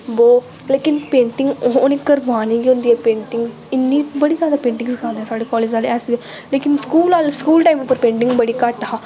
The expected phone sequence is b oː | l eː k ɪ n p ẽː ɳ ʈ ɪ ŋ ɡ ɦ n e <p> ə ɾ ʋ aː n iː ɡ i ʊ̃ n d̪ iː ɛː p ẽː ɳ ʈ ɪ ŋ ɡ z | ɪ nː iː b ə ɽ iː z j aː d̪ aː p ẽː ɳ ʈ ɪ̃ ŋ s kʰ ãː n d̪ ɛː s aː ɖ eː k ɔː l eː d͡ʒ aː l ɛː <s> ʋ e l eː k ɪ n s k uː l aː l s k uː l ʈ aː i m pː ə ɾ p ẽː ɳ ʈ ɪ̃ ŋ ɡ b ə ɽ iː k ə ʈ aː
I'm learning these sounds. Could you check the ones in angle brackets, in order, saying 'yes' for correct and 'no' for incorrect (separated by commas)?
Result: no, yes